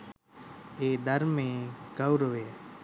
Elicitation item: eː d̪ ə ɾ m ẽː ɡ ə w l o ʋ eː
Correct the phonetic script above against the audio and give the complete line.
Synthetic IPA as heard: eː d̪ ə ɾ m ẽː ɡ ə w ɾ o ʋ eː

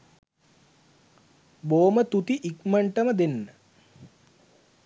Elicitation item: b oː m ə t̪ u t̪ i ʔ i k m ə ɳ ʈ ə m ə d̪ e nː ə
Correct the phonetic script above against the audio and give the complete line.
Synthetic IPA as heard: b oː m ə t̪ u t̪ i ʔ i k m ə ɳ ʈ ə m ə d̪ e nː ə

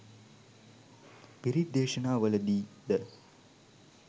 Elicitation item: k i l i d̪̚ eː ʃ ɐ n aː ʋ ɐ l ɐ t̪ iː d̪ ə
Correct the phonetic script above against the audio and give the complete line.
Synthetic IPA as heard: p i ɾ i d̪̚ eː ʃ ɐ n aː ʋ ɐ l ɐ d̪ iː d̪ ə

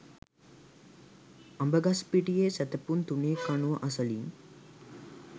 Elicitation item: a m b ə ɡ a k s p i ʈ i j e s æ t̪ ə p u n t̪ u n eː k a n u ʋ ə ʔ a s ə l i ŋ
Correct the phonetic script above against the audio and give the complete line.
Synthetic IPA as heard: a m b ə ɡ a s p i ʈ i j e s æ t̪ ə p u n t̪ u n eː k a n u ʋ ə ʔ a s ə l i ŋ

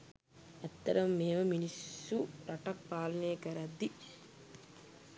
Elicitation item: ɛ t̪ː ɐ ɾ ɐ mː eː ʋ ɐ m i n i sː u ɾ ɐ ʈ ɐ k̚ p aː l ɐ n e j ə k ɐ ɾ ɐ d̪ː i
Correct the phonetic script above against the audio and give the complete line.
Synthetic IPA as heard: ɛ t̪ː ɐ ɾ ɐ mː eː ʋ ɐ m i n i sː u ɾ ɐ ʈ ɐ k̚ p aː l ɐ n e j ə k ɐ ɾ ɐ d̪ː i

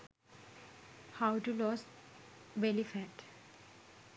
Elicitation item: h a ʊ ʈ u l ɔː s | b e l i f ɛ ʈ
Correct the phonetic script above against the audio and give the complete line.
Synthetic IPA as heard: h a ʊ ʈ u l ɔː s | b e l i f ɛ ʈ

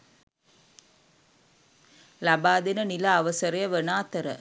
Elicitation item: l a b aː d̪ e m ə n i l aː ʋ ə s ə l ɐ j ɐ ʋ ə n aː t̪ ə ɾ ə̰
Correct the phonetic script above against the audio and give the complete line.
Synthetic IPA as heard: l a b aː d̪ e n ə n i l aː ʋ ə s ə ɾ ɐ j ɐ ʋ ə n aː t̪ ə ɾ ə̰

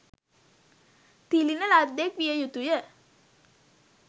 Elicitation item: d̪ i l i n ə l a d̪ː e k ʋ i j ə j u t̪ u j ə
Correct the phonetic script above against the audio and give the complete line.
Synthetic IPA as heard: t̪ i l i n ə l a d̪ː e k ʋ i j ə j u t̪ u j ə

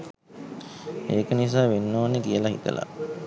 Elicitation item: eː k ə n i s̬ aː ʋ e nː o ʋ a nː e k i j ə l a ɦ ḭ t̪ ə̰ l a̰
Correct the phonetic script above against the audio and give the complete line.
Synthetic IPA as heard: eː k ə n i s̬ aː ʋ e nː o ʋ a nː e k i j ə l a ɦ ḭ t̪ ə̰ l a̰

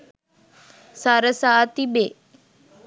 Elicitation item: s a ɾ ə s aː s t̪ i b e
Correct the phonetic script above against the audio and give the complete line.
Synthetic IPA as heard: s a ɾ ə s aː t̪ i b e

